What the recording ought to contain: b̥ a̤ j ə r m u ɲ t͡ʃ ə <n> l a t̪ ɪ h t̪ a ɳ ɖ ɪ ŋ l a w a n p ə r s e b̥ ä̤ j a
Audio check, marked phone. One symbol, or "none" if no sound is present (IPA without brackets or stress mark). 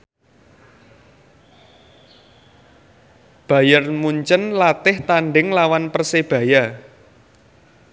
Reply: n